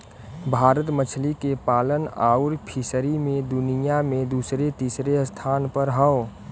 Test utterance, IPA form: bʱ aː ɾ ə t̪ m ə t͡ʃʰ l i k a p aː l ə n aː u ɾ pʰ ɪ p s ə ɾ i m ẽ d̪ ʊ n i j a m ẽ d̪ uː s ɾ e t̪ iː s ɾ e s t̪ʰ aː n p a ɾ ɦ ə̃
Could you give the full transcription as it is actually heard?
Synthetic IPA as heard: bʱ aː ɾ ə t̪ m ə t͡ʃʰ l i k e p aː l ə n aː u ɾ pʰ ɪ s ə ɾ i m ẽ d̪ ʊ n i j a m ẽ d̪ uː s ɾ e t̪ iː s ɾ e s t̪ʰ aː n p ə ɾ ɦ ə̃

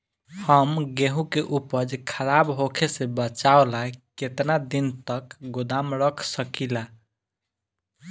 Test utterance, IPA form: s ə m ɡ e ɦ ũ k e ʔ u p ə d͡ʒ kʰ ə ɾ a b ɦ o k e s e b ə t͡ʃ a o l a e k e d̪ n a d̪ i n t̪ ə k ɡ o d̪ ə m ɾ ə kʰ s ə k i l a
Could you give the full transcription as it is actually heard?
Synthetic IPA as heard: h ə m ɡ e ɦ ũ k e ʔ u p ə d͡ʒ kʰ ə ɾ a b ɦ o kʰ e s e b ə t͡ʃ a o l a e k e t̪ n a d̪ i n t̪ ə k ɡ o d̪ a m ɾ ə kʰ s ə k i l a

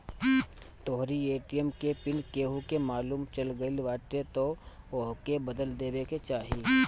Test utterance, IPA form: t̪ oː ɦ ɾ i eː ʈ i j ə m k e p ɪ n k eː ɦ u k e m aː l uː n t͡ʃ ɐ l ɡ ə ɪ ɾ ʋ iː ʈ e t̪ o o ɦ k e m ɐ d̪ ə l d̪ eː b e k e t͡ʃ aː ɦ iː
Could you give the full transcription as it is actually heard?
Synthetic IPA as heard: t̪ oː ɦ ɾ i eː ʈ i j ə m k e p ɪ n k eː ɦ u k e m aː l uː m t͡ʃ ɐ l ɡ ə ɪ l ʋ aː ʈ e t̪ o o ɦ k e b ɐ d̪ ə l d̪ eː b e k e t͡ʃ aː ɦ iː

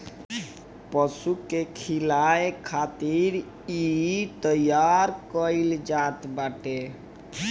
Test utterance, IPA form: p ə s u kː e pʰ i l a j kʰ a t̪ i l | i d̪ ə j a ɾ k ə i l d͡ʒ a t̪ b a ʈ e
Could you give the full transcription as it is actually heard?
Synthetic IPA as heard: p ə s u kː e kʰ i l a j kʰ a t̪ i ɾ | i t̪ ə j a ɾ k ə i l d͡ʒ a t̪ b a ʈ e

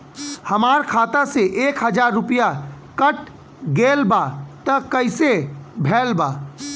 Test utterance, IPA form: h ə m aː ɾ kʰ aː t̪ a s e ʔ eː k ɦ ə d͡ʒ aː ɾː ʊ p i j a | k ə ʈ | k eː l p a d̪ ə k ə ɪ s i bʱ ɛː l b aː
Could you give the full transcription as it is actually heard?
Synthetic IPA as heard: h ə m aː ɾ kʰ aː t̪ a s e ʔ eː k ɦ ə d͡ʒ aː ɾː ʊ p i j a | k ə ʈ | ɡ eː l b a t̪ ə k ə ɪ s e bʱ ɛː l b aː

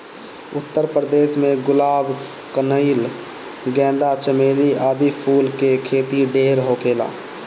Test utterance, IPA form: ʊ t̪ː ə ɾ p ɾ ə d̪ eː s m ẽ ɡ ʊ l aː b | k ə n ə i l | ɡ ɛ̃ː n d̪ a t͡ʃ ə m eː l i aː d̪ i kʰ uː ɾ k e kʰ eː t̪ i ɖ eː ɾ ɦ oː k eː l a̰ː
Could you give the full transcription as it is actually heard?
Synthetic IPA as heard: ʊ t̪ː ə ɾ p ɾ ə d̪ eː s m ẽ ɡ ʊ l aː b | k ə n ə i l | ɡ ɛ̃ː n d̪ a t͡ʃ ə m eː l i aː d̪ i pʰ uː l k e kʰ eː t̪ i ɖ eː ɾ ɦ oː k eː l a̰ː

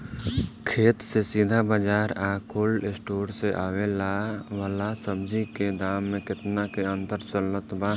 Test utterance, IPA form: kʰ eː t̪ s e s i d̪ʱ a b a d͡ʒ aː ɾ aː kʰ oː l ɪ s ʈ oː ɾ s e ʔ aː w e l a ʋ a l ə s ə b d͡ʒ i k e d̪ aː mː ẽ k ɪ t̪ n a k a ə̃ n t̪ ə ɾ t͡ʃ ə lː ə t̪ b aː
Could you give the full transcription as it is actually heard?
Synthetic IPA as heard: kʰ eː t̪ s e s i d̪ʱ a b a d͡ʒ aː ɾ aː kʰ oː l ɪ s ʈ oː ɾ s e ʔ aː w e l a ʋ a l a s ə b d͡ʒ i k e d̪ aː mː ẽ k ɪ t̪ n a k e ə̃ n t̪ ə ɾ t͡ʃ ə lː ə t̪ b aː

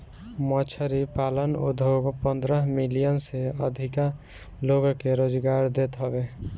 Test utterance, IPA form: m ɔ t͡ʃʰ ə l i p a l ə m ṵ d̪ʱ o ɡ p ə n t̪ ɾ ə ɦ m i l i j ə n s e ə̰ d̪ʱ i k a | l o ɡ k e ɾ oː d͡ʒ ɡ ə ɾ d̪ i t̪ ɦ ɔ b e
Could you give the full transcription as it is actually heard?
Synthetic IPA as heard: m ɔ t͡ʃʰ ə ɾ i p a l ə n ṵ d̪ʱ o ɡ p ə n d̪ ɾ ə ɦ m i l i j ə n s e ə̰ d̪ʱ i k a | l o ɡ k e ɾ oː d͡ʒ ɡ a ɾ d̪ e t̪ ɦ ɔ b e

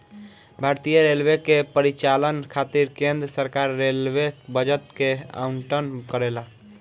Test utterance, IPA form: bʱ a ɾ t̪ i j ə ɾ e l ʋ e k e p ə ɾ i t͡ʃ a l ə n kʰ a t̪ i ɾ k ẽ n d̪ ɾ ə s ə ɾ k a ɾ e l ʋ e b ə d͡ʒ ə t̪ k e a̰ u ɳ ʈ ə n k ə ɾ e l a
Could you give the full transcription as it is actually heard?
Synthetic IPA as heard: bʱ a ɾ t̪ i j ə ɾ e l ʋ e k e p ə ɾ i t͡ʃ a l ə n kʰ a t̪ i ɾ k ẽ n d̪ ɾ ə s ə ɾ k a ɾː e l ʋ e b ə d͡ʒ ə t̪ k e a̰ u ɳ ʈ ə n k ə ɾ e l a

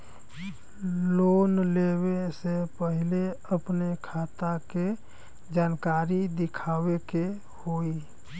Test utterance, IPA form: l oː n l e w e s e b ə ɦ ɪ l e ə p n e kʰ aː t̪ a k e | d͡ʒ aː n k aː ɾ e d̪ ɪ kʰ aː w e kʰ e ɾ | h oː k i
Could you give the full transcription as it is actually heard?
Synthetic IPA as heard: l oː n l e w e s e p ə ɦ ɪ l e ə p n e kʰ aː t̪ a k e | d͡ʒ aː n k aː ɾ i d̪ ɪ kʰ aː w e k e | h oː i

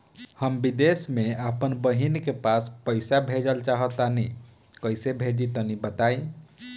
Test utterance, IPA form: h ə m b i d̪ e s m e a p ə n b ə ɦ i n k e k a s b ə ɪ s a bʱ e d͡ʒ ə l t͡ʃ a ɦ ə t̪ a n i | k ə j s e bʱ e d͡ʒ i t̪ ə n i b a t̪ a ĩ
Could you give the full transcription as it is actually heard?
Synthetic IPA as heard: h ə m b i d̪ e s m e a p ə n b ə ɦ i n k e p a s p ə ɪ s a bʱ e d͡ʒ ə l t͡ʃ a ɦ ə t̪ a n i | k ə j s e bʱ e d͡ʒ i t̪ ə n i b ə t̪ a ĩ

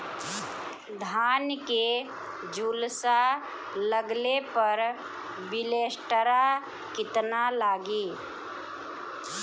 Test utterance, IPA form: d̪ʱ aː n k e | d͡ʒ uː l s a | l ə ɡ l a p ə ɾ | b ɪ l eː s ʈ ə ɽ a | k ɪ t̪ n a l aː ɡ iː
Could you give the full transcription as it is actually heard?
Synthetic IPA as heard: d̪ʱ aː n k e | d͡ʒ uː l s a | l ə ɡ l e p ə ɾ | b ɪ l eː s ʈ ə ɾ a | k ɪ t̪ n a l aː ɡ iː

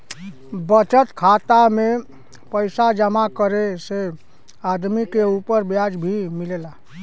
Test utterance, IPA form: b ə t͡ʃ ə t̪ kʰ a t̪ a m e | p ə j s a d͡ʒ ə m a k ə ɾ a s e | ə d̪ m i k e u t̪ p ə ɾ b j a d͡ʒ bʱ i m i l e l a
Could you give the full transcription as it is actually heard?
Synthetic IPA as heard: b ə t͡ʃ ə t̪ kʰ a t̪ a m e | p ə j s a d͡ʒ ə m a k ə ɾ e s e | a d̪ m i k e u p ə ɾ b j a d͡ʒ bʱ i m i l e l a

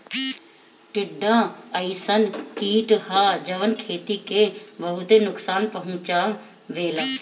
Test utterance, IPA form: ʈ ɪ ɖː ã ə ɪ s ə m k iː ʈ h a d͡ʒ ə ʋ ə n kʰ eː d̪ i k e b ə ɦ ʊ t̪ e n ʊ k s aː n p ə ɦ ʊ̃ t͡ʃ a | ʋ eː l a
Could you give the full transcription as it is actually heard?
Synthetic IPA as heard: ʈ ɪ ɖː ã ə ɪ s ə n k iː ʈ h a d͡ʒ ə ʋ ə n kʰ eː t̪ i k e b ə ɦ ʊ t̪ e n ʊ k s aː n p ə ɦ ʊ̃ t͡ʃ a | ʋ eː l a

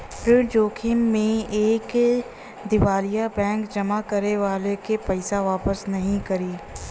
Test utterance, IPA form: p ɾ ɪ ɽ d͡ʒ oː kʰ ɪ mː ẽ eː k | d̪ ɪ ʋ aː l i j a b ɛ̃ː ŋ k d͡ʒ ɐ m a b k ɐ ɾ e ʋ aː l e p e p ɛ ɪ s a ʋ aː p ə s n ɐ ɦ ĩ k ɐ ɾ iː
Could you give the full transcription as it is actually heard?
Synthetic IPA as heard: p ɾ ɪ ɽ d͡ʒ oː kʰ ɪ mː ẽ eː k | d̪ ɪ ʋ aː l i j a b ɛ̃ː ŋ k d͡ʒ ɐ m a k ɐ ɾ e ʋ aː l e k e p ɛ ɪ s a ʋ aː p ə s n ɐ ɦ ĩ k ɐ ɾ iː

